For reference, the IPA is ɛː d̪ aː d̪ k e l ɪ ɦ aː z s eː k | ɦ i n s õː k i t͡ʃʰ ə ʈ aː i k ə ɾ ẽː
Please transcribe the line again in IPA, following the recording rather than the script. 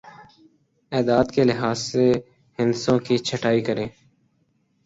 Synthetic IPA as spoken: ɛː d̪ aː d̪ k e l ɪ ɦ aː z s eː | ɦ ɪ n s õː k i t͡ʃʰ ə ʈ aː i k ə ɾ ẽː